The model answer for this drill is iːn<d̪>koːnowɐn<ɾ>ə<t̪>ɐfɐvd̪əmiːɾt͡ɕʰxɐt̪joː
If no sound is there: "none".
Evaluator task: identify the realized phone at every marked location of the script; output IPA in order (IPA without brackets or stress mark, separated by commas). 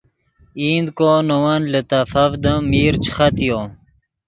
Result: d̪, l, t̪